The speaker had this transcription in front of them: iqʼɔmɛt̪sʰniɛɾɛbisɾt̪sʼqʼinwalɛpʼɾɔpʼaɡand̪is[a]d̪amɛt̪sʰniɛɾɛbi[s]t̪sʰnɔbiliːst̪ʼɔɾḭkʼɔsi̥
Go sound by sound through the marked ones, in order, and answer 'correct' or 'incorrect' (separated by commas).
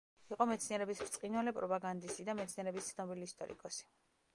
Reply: incorrect, correct